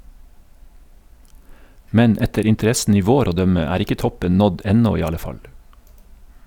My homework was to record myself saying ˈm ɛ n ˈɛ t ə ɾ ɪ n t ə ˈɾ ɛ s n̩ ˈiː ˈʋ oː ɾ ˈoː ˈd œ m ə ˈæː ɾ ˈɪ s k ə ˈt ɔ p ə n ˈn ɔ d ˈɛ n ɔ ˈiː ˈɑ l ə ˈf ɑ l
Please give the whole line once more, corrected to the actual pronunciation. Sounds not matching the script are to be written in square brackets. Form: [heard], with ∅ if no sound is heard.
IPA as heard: ˈm ɛ n ˈɛ t ə ɾ ɪ n t ə ˈɾ ɛ s n̩ ˈiː ˈʋ oː ɾ ˈoː ˈd œ m ə ˈæː ɾ ˈɪ [∅] k ə ˈt ɔ p ə n ˈn ɔ d ˈɛ n ɔ ˈiː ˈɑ l ə ˈf ɑ l